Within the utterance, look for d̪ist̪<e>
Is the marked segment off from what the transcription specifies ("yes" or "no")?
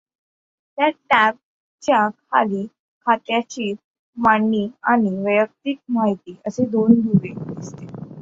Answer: no